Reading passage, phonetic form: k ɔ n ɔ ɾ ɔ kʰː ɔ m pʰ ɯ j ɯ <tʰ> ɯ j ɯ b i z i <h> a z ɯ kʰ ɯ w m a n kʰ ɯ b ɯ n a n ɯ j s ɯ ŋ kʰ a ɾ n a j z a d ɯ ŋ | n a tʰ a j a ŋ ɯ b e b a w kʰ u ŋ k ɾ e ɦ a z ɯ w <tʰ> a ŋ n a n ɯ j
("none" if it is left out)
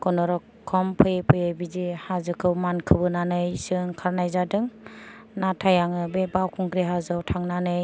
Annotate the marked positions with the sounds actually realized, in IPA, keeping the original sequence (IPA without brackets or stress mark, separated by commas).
pʰ, h, tʰ